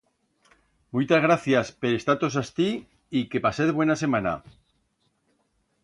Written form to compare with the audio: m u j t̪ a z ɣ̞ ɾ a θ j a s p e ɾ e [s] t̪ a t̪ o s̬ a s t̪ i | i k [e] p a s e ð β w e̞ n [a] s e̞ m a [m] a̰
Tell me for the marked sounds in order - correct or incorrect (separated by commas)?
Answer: correct, correct, correct, incorrect